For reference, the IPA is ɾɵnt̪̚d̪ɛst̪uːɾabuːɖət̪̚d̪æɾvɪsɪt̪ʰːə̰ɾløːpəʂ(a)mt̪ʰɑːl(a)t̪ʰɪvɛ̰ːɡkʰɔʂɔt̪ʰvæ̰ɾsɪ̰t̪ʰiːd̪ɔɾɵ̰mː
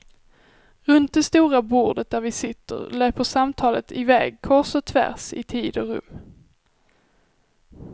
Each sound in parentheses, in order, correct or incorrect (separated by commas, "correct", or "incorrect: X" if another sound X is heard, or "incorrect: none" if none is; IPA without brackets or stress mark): correct, incorrect: ə